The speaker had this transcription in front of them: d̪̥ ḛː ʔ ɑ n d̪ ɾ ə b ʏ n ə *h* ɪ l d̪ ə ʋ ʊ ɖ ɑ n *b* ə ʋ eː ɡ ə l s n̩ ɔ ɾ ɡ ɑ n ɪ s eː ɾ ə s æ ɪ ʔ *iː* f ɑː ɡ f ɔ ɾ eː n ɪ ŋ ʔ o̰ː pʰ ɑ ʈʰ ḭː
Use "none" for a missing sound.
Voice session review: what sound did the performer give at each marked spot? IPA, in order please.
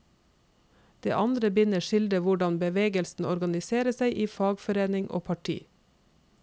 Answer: ʃ, b, iː

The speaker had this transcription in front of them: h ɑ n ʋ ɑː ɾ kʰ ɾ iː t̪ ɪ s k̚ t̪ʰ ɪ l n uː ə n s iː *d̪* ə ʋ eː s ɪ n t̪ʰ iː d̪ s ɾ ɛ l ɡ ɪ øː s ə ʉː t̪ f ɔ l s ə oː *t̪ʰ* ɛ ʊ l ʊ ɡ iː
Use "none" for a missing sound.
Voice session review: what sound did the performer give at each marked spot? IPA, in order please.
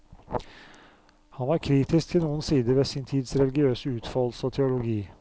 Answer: d̪, t̪ʰ

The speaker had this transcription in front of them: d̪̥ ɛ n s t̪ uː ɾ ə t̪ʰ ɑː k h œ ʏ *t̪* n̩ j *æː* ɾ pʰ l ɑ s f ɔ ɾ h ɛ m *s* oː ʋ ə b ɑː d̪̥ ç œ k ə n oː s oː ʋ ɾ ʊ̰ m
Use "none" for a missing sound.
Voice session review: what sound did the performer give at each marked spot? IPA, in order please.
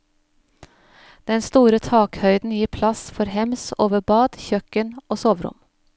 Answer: d̪, iː, s

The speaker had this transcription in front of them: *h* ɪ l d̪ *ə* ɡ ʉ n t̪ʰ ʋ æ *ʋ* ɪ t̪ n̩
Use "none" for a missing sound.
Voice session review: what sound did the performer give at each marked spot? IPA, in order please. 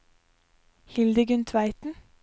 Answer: h, ə, none

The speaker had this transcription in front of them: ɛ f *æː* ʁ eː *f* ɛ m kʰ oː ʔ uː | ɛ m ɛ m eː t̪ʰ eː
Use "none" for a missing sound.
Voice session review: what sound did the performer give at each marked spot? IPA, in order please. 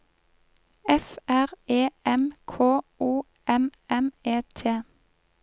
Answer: æ, none

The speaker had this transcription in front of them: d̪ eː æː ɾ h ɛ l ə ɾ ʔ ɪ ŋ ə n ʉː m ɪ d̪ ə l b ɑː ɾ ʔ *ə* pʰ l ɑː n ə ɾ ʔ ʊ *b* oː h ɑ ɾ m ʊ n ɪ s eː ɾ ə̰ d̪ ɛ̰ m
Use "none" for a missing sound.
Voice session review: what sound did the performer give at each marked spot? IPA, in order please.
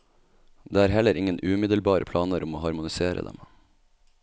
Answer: ə, m

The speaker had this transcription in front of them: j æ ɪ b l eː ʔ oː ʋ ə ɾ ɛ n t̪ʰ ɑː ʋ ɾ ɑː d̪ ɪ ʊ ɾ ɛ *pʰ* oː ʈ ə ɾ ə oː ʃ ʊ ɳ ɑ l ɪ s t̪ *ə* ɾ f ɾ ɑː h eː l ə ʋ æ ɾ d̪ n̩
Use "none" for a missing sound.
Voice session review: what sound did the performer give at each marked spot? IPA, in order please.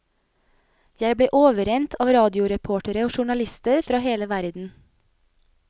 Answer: pʰ, ə

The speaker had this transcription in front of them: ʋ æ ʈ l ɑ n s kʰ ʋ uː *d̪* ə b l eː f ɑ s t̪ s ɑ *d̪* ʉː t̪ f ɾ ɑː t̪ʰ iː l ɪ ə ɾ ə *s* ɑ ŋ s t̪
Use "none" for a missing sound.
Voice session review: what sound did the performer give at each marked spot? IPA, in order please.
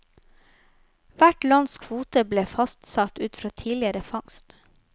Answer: t̪, t̪, f

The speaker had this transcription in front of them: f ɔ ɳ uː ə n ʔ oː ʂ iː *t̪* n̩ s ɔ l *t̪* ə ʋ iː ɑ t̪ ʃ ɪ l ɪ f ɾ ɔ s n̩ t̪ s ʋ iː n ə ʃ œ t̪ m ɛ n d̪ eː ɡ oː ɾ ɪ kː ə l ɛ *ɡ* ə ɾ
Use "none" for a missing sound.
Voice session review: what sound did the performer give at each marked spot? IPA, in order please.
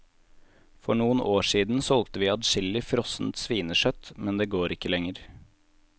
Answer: d̪, t̪, ŋ

